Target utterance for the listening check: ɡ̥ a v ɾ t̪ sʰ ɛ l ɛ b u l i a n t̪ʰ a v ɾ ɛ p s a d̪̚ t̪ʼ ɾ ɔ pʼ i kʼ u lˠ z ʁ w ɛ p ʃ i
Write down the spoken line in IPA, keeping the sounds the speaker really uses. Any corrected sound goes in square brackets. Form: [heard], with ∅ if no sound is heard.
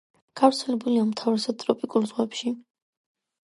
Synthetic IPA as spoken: ɡ̥ a v ɾ t̪ sʰ ɛ l ɛ b u l i a [m] t̪ʰ a v ɾ ɛ [∅] s a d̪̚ t̪ʼ ɾ ɔ pʼ i kʼ u lˠ z ʁ w ɛ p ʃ i